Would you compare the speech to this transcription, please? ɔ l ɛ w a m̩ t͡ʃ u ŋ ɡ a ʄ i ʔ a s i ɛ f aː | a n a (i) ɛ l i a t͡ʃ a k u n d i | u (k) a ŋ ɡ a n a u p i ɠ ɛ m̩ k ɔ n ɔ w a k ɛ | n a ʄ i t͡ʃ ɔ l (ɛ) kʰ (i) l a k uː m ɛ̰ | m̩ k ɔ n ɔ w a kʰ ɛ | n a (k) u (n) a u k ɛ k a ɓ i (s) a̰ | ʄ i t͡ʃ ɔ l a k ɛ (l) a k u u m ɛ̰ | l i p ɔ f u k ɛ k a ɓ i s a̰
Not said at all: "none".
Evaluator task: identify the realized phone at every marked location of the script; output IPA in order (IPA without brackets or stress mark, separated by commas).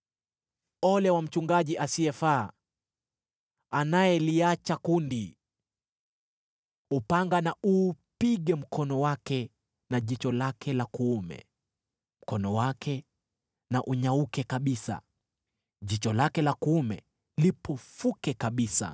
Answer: j, p, a, ɛ, ʔ, ɲ, s, l